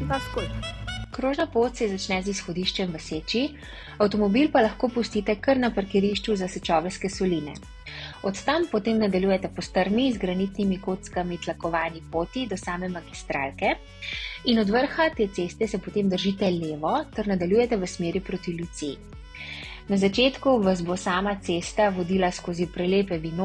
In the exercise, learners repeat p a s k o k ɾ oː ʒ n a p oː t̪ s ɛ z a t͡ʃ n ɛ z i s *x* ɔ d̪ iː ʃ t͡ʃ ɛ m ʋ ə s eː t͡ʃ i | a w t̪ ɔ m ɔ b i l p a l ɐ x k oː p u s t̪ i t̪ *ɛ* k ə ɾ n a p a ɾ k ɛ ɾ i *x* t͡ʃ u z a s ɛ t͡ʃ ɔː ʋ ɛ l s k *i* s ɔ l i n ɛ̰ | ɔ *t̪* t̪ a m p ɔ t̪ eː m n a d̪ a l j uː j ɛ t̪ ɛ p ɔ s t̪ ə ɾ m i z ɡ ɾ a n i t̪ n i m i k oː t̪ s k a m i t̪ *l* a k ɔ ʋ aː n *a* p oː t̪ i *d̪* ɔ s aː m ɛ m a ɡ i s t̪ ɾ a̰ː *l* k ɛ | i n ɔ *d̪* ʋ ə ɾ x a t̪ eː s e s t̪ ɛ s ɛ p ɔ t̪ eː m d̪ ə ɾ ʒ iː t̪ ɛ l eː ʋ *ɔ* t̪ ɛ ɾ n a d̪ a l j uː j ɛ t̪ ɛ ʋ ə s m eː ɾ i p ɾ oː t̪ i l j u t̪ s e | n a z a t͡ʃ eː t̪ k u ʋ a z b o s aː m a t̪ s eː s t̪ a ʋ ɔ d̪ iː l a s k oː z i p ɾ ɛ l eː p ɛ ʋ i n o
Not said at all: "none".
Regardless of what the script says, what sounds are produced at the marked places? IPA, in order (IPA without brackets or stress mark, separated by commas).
x, ɛ, ʃ, ɛ, t̪, l, i, d̪, l, d̪, ɔ